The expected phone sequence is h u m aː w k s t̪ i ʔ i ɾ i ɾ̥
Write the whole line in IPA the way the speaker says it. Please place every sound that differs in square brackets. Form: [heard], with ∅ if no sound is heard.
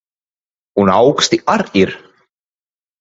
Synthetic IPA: h u [n] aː w k s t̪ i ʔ [a] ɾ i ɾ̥